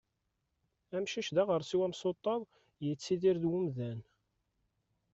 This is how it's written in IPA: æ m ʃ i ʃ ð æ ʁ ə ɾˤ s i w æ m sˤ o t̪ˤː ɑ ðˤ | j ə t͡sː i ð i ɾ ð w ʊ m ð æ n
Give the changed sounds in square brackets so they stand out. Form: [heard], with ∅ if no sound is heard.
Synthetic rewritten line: æ m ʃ i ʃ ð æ ʁ ə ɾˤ s i w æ m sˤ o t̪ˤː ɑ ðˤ | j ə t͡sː i ð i ɾ ð w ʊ m ð æ n

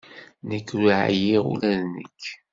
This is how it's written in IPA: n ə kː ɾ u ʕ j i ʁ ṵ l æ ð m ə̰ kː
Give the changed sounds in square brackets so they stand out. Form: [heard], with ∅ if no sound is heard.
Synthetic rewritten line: n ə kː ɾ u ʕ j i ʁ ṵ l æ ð [n] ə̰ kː

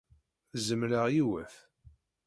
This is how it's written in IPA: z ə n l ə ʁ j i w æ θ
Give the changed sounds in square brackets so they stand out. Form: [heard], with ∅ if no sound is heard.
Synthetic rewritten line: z ə [m] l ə ʁ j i w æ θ

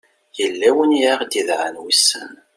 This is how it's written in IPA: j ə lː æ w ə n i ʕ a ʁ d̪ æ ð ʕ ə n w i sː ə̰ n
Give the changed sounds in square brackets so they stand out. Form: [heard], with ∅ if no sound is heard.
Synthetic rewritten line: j ə lː æ w ə n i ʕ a ʁ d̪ [i] ð ʕ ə n w i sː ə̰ n

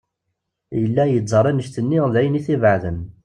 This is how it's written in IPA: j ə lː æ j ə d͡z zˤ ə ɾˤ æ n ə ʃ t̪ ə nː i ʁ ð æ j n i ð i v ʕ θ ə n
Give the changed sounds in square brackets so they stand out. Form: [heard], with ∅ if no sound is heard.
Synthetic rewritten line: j ə lː æ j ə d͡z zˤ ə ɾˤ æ n ə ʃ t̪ ə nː i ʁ ð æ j n i [θ] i v ʕ [ð] ə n

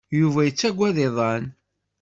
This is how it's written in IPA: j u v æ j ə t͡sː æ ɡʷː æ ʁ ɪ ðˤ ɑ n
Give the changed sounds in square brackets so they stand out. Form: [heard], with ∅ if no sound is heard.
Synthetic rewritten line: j u v æ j ə t͡sː æ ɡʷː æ [ð] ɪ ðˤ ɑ n

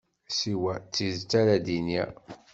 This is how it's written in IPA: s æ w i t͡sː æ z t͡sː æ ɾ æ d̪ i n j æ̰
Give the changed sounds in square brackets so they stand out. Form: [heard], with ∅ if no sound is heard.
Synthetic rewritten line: s [i] w [æ] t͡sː [i] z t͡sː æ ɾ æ d̪ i n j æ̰

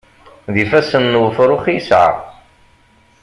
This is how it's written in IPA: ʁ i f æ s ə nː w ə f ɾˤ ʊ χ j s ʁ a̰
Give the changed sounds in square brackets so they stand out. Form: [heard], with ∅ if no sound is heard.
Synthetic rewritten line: [ð] i f æ s ə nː w ə f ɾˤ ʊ χ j s [ʕ] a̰

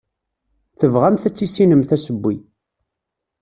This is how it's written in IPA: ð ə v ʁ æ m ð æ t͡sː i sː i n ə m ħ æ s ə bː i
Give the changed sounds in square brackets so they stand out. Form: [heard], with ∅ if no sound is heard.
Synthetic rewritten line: [θ] ə v ʁ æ m [θ] æ t͡sː i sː i n ə m [θ] æ s ə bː i

